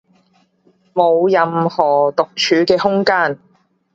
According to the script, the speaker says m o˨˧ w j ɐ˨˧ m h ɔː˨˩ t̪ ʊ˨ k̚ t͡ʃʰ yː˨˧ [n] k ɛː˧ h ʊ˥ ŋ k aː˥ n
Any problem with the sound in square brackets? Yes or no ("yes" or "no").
yes